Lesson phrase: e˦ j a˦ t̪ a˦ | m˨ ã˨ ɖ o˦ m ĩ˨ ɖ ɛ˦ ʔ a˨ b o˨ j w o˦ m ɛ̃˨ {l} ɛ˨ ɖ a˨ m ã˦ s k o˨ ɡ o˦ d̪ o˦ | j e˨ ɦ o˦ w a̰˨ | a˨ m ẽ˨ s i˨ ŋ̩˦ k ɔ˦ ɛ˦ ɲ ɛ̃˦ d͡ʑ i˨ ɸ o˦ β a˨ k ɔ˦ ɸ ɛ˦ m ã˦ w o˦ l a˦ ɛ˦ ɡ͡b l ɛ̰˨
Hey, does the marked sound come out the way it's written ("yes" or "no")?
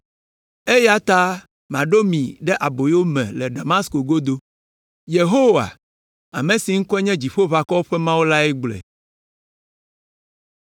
yes